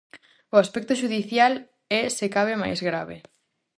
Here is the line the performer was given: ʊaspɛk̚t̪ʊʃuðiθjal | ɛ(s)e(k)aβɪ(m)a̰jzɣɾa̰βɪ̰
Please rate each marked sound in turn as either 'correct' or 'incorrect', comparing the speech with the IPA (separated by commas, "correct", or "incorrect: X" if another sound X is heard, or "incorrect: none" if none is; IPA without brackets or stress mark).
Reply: correct, correct, correct